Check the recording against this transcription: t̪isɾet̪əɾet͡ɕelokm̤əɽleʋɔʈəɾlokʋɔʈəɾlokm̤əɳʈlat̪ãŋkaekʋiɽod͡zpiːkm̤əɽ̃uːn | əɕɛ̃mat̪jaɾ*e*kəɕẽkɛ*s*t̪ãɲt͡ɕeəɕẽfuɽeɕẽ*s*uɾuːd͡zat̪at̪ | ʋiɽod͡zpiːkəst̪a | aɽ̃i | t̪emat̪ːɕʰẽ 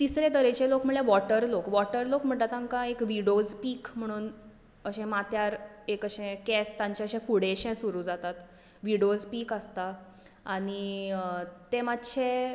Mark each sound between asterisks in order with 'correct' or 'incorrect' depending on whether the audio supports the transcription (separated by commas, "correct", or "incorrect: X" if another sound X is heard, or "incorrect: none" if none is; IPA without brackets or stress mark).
correct, correct, correct